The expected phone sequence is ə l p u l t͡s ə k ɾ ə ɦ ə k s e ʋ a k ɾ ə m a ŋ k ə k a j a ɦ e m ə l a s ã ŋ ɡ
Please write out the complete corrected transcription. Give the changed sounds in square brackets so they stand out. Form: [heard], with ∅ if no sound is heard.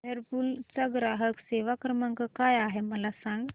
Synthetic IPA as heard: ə [ɾ] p u l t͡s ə [ɡ] ɾ [a] ɦ ə k s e ʋ a k ɾ ə m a ŋ k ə k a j a ɦ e m ə l a s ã ŋ ɡ